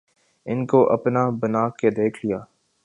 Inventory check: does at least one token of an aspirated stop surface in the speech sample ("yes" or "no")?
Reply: yes